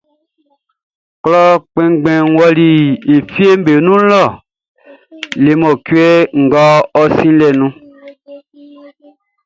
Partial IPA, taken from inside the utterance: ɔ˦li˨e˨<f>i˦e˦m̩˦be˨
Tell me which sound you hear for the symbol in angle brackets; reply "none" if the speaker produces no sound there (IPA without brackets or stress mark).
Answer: f